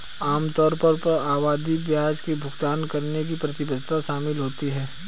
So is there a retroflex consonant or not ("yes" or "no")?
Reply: no